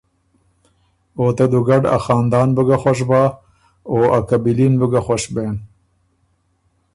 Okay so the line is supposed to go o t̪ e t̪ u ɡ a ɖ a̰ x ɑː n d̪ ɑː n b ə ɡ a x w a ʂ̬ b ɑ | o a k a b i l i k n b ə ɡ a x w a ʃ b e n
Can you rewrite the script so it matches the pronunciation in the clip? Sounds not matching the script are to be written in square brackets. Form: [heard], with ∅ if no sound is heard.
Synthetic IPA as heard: o t̪ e [d̪] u ɡ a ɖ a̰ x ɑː n d̪ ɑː n b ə ɡ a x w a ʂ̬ b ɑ | o a k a b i l i [∅] n b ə ɡ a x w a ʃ b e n